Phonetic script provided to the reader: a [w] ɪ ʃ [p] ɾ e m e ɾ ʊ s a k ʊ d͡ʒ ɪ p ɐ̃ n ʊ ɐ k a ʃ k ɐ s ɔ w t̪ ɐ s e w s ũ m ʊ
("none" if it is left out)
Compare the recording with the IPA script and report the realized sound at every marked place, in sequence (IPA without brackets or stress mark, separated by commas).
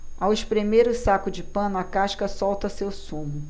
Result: w, p